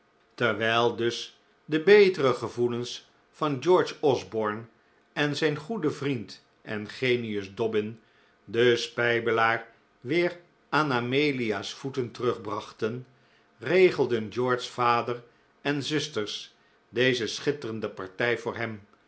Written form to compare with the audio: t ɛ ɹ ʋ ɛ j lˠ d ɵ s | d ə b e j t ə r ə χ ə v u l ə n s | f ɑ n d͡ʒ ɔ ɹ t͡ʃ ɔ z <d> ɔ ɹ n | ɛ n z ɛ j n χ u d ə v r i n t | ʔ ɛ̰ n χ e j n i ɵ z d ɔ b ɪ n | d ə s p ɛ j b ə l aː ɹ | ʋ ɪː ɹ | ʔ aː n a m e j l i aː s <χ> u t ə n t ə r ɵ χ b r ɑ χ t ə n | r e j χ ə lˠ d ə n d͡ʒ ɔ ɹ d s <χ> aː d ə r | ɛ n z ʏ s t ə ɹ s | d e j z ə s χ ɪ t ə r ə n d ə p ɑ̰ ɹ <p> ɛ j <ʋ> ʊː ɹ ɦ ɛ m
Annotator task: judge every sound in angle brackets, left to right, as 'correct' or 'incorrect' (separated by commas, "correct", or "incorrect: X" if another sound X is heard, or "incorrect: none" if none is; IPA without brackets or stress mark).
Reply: incorrect: b, incorrect: f, incorrect: f, incorrect: t, incorrect: v